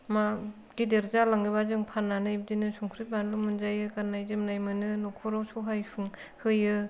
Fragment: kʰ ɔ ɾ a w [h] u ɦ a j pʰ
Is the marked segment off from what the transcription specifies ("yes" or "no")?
yes